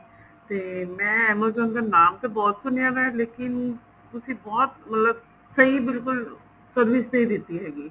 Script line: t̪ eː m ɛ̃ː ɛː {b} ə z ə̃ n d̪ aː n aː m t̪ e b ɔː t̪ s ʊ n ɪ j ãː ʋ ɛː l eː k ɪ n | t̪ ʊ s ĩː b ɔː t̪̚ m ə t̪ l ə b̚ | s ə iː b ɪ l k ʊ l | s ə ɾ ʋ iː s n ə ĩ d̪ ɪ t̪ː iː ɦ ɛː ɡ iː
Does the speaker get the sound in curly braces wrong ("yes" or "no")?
yes